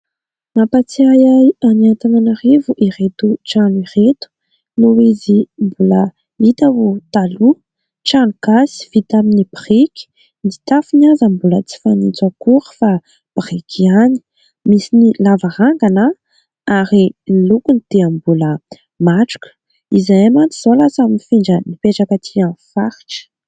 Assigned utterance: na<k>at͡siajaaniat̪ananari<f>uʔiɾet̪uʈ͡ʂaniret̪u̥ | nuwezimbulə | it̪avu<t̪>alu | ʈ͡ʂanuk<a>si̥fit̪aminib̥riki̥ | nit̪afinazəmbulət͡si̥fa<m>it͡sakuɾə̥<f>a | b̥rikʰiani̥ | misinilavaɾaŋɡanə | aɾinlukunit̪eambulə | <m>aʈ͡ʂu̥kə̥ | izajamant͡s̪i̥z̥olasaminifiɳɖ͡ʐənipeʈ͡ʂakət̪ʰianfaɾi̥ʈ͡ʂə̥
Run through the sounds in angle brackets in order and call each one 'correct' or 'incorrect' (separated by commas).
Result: incorrect, incorrect, correct, correct, incorrect, correct, correct